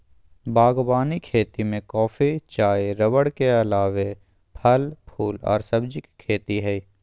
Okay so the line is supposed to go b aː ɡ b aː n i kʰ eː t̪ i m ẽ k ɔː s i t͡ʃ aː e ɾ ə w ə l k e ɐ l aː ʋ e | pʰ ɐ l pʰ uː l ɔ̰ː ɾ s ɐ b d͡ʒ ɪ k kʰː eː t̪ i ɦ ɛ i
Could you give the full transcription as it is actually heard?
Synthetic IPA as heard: b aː ɡ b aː n i kʰ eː t̪ i m ẽ k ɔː f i t͡ʃ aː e ɾ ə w ə ɽ k e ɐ l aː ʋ e | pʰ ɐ l pʰ uː l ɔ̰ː ɾ s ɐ b d͡ʒ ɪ k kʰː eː t̪ i ɦ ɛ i